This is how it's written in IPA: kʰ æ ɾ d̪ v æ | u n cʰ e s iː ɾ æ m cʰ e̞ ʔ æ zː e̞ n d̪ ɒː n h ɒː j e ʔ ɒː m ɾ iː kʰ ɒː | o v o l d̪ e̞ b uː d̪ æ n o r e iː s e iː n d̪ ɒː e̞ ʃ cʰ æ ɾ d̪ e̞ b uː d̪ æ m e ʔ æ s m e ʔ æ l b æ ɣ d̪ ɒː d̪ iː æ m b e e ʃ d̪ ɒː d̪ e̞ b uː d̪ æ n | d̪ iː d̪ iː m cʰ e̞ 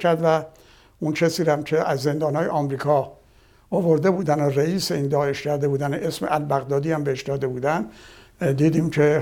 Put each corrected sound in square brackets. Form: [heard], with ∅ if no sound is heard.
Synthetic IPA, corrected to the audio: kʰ æ ɾ d̪ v æ | u n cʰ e s iː ɾ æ m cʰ e̞ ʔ æ zː e̞ n d̪ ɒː n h ɒː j e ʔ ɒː m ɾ iː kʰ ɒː | o v o [ɾ] d̪ e̞ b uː d̪ æ n o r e iː s e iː n d̪ ɒː e̞ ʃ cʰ æ ɾ d̪ e̞ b uː d̪ æ [n] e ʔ [e] s m e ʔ æ l b æ ɣ d̪ ɒː d̪ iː æ m b e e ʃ d̪ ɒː d̪ e̞ b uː d̪ æ n | d̪ iː d̪ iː m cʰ e̞